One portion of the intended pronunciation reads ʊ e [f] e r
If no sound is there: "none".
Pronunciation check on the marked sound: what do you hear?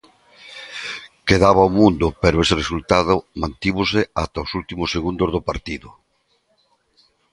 s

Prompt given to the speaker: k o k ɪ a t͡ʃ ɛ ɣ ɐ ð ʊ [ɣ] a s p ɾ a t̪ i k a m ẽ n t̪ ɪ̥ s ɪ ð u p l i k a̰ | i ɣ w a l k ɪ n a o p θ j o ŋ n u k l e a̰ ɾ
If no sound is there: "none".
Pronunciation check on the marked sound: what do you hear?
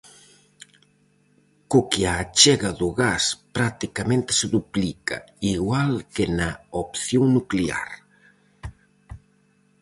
ɣ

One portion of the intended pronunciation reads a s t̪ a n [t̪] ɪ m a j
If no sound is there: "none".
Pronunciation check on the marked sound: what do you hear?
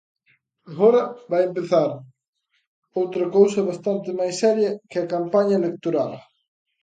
t̪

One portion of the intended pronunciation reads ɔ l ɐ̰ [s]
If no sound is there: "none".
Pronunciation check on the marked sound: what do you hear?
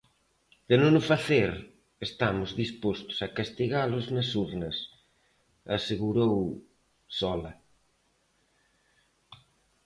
none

